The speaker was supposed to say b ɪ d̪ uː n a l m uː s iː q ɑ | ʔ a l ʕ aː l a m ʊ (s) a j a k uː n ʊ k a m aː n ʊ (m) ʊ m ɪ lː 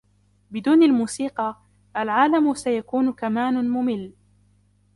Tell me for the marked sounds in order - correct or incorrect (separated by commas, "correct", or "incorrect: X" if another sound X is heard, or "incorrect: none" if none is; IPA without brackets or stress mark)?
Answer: correct, correct